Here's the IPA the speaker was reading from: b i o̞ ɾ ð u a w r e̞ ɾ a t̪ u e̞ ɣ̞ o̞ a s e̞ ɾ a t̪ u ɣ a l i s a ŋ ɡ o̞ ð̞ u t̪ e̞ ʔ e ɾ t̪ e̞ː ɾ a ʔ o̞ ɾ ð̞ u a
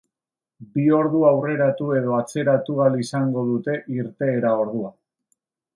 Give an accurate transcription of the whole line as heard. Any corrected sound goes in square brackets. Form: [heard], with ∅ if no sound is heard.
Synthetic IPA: b i o̞ ɾ ð u a w r e̞ ɾ a t̪ u e̞ [ð̞] o̞ a [t͡s] e̞ ɾ a t̪ u ɣ a l i s a ŋ ɡ o̞ ð̞ u t̪ e̞ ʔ [i] ɾ t̪ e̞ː ɾ a [∅] o̞ ɾ ð̞ u a